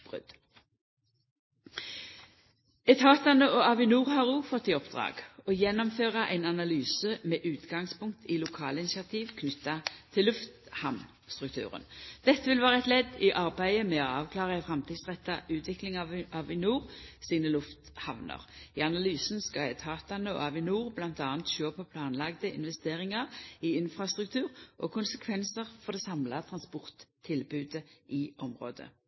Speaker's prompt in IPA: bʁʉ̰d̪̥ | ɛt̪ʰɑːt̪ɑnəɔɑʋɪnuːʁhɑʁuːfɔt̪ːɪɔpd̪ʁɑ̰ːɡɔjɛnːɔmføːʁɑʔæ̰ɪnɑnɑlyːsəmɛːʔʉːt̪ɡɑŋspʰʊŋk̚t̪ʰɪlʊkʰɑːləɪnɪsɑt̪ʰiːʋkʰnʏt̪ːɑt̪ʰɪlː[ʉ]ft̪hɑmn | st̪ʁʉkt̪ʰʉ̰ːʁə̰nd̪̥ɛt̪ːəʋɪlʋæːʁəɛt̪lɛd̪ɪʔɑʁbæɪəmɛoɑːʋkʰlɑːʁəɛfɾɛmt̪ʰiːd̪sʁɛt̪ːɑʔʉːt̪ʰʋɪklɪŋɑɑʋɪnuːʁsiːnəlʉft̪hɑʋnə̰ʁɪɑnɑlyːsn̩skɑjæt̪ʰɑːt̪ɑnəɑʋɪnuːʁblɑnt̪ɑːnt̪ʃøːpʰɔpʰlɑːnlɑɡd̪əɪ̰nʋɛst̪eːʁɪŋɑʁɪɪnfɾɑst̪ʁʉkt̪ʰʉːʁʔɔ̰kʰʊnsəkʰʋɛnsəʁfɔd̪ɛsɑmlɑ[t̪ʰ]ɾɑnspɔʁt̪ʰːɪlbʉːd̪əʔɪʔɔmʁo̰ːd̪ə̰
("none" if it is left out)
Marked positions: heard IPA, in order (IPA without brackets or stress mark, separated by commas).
ʉ, t̪ʰ